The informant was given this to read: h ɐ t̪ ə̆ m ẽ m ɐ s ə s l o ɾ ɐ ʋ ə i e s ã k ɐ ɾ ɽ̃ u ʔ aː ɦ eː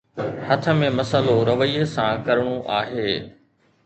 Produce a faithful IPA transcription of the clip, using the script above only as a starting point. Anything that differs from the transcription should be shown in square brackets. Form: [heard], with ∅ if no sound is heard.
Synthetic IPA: h ɐ [t̪ʰ] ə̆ m ẽ m ɐ s ə [∅] l o ɾ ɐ ʋ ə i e s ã k ɐ ɾ ɽ̃ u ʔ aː ɦ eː